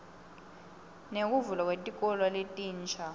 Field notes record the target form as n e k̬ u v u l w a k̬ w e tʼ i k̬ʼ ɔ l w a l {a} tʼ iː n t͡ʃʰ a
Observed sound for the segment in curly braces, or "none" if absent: e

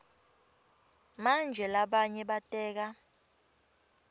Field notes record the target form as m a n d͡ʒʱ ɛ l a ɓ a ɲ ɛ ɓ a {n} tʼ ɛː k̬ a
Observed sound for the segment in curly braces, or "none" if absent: none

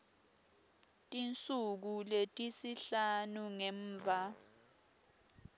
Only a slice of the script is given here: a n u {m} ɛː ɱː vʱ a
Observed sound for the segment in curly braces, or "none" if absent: ŋ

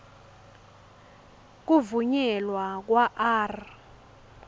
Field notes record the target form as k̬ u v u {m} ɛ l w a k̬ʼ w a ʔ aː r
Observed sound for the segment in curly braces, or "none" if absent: ɲ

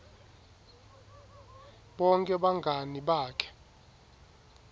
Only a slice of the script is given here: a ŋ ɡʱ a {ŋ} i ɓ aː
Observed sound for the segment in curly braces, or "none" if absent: n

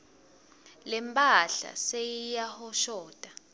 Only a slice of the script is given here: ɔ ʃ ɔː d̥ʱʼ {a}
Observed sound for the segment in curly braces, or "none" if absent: a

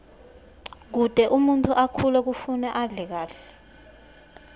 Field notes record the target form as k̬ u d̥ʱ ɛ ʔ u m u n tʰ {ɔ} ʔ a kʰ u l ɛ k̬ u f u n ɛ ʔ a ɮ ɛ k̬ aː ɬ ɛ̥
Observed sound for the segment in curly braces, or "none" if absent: u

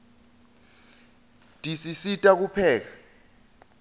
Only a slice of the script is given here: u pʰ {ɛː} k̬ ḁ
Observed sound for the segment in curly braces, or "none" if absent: ɛː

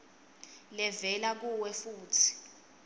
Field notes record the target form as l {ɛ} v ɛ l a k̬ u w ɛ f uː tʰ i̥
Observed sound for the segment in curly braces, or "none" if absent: ɛ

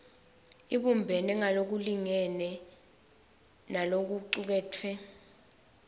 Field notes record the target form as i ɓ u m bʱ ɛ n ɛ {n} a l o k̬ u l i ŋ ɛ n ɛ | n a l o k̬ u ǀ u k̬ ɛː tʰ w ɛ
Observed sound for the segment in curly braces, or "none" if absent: ŋ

